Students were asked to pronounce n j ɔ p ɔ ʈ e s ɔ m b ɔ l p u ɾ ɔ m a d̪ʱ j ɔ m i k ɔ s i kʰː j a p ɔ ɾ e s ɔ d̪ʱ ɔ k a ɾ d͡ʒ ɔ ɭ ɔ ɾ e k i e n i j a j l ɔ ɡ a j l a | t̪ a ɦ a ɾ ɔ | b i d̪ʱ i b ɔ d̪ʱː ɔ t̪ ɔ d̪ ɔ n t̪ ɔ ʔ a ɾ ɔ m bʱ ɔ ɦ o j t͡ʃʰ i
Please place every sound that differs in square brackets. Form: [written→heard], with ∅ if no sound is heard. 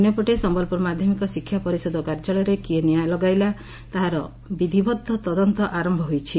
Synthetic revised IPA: n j ɔ p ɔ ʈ e s ɔ m b ɔ l p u ɾ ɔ m a d̪ʱ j ɔ m i k ɔ s i kʰː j a p ɔ ɾ [e→i] s ɔ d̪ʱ ɔ k a ɾ d͡ʒ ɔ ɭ ɔ ɾ e k i e n i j a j l ɔ ɡ a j l a | t̪ a ɦ a ɾ ɔ | b i d̪ʱ i b ɔ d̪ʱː ɔ t̪ ɔ d̪ ɔ n t̪ ɔ ʔ a ɾ ɔ m bʱ ɔ ɦ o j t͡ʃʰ i